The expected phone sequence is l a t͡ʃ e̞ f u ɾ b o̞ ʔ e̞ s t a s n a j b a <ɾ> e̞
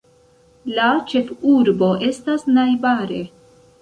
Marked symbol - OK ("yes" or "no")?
yes